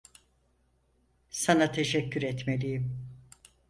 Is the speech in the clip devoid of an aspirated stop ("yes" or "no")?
no